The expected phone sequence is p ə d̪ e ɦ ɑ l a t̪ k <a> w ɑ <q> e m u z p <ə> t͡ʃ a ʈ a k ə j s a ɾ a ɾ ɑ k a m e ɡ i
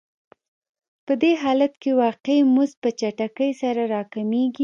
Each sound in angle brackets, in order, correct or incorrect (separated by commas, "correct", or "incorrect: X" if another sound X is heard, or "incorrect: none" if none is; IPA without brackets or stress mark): incorrect: e, correct, correct